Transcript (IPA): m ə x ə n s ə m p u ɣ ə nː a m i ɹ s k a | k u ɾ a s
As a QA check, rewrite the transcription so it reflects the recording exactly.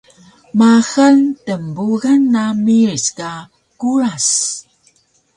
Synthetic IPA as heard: m a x ə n t ə m b u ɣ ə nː a m i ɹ s k a | k u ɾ a s

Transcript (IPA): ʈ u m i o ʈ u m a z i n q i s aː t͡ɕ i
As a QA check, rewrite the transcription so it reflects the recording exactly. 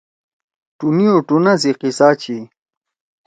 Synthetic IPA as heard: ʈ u n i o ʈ u n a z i q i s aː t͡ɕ i

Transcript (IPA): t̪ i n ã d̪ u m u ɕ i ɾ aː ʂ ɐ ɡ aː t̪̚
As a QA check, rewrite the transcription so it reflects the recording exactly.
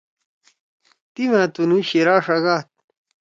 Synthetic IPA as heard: t̪ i m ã t̪ u n u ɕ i ɾ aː ʂ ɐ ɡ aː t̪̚

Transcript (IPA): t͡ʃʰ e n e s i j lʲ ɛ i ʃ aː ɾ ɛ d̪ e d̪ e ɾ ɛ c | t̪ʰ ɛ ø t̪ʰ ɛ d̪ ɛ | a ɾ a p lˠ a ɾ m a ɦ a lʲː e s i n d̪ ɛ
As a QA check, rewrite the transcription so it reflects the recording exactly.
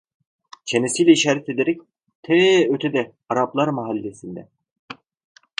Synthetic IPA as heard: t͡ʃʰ e n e s i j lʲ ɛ i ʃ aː ɾ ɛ t̪ e d̪ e ɾ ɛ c | t̪ʰ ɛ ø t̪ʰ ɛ d̪ ɛ | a ɾ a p lˠ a ɾ m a ɦ a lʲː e s i n d̪ ɛ

